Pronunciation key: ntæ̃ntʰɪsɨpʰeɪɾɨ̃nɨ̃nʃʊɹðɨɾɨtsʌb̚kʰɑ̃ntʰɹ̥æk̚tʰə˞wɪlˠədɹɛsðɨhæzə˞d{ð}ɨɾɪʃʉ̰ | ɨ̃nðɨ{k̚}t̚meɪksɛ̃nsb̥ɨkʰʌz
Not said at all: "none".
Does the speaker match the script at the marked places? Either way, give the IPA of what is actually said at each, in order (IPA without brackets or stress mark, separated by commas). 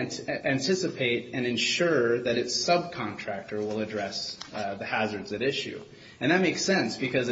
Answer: z, none